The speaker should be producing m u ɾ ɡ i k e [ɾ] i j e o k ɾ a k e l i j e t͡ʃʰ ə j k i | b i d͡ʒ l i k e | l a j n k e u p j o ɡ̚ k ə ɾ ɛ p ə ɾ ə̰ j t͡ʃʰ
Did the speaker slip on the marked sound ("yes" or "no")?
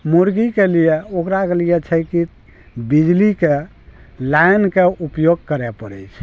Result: yes